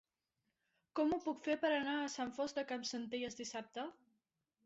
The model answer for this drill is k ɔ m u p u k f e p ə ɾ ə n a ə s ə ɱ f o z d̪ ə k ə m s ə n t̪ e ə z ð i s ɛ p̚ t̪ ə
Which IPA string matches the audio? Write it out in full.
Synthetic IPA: k ɔ m u p u k f e p ə ɾ ə n a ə s a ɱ f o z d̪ ə k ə m s ə n t̪ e ə z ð i s a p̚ t̪ ə